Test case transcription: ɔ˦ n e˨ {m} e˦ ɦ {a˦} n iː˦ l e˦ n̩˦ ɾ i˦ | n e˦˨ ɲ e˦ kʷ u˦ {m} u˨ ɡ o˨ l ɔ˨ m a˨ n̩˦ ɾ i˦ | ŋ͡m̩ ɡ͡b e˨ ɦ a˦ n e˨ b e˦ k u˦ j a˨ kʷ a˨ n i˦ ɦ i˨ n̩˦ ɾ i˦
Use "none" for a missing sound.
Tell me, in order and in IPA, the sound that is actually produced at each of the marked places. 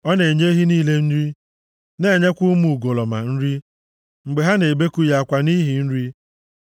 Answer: ɲ, i˦, m

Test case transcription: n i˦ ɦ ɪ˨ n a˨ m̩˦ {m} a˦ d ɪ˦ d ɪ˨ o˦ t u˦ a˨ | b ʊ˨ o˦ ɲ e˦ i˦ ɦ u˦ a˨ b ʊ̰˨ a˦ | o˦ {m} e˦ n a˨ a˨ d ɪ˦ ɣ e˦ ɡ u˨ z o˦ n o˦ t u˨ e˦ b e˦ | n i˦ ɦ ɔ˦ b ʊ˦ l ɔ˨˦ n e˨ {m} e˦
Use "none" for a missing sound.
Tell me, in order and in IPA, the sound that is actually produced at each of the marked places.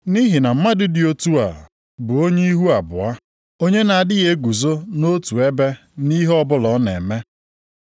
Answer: m, ɲ, m

